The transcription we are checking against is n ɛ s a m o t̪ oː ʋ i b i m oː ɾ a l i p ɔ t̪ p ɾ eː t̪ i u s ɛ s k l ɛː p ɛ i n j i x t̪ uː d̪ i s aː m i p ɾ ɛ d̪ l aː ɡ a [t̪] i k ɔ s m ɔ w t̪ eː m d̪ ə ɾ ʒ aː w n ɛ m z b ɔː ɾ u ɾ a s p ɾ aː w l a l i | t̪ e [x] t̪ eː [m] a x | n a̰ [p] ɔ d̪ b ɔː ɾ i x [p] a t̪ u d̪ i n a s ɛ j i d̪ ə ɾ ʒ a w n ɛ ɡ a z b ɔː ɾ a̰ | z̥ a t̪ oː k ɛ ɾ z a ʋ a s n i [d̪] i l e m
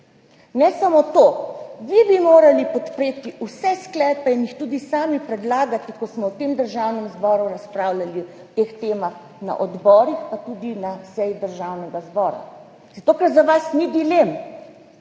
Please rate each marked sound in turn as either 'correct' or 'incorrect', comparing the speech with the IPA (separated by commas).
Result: correct, correct, correct, incorrect, correct, correct